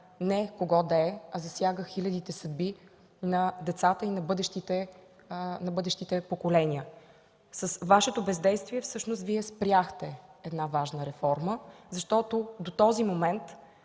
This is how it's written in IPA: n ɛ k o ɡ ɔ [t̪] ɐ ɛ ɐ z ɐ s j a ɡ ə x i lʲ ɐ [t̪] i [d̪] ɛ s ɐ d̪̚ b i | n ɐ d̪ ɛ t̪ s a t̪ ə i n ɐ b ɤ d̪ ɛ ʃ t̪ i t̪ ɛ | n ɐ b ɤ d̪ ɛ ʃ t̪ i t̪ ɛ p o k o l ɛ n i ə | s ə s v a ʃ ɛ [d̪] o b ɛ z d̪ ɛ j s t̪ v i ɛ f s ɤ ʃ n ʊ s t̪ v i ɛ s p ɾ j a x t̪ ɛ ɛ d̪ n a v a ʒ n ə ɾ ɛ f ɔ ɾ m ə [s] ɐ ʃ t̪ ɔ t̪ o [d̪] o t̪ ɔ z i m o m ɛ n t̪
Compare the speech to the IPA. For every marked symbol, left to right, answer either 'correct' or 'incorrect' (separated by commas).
incorrect, incorrect, incorrect, incorrect, incorrect, correct